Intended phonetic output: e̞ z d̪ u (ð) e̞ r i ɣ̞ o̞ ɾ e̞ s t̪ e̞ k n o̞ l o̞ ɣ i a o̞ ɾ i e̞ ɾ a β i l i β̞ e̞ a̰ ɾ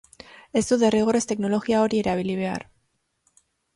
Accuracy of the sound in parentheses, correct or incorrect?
correct